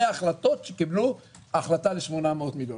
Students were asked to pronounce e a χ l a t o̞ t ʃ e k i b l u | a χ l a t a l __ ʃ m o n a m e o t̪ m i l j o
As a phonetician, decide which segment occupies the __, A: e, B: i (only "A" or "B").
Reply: A